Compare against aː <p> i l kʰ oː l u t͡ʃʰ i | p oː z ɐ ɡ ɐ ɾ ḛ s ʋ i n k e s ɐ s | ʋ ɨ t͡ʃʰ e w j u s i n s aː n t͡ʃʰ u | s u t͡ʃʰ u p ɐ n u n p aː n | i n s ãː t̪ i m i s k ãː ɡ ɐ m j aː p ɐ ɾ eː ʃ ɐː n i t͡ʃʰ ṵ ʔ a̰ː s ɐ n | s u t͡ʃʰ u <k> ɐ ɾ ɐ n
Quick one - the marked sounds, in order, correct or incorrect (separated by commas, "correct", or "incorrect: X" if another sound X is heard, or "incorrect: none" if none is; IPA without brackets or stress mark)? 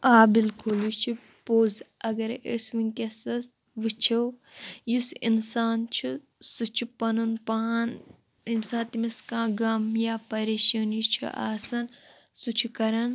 incorrect: b, correct